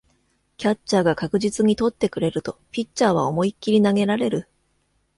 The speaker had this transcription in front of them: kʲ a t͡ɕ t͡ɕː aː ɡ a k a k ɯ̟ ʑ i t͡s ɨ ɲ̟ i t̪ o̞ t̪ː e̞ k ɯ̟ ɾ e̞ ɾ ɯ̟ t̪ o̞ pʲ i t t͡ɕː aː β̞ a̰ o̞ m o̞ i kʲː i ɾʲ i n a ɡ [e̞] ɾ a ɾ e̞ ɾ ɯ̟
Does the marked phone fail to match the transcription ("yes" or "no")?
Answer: no